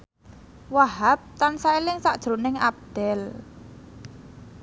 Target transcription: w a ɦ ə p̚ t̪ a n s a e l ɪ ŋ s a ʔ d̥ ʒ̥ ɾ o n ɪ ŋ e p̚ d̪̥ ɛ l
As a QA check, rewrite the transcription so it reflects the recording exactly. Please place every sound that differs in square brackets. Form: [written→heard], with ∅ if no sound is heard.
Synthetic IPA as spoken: w a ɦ [ə→a] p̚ t̪ a n s a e l ɪ ŋ s a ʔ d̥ ʒ̥ ɾ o n ɪ ŋ [e→a] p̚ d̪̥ ɛ l